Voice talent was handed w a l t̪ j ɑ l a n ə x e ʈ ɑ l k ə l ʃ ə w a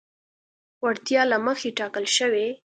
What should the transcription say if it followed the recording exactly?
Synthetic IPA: w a ɽ t̪ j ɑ l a m ə x e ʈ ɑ k ə l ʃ ə w e